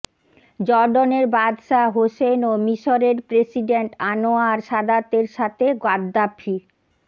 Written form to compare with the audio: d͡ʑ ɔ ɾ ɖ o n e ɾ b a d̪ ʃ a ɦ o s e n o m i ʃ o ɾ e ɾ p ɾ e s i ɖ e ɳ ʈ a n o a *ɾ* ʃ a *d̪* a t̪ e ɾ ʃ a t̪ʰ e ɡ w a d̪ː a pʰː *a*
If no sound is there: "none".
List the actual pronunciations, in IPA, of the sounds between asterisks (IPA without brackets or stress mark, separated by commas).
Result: ɾ, d̪, i